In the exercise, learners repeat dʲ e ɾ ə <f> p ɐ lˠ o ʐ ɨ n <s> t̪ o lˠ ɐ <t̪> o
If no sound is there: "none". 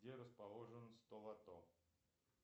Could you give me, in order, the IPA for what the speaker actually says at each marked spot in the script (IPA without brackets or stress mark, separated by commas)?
s, s, t̪